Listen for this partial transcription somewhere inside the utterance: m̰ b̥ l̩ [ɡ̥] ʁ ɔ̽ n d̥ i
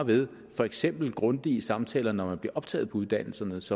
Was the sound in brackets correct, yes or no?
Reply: yes